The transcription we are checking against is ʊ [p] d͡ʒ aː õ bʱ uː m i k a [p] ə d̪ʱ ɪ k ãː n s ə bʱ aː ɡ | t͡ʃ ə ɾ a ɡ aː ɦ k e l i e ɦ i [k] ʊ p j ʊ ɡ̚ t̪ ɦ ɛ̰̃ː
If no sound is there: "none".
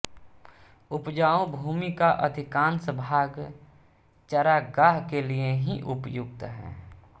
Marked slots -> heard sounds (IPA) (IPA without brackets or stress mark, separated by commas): p, ʔ, ʔ